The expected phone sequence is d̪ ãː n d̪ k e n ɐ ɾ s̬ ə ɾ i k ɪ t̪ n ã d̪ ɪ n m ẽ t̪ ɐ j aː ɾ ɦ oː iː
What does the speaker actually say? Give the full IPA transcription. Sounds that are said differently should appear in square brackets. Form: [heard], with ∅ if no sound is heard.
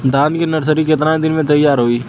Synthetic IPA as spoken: d̪ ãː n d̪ k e n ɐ ɾ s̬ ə ɾ i k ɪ t̪ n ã d̪ ɪ n m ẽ t̪ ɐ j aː ɾ ɦ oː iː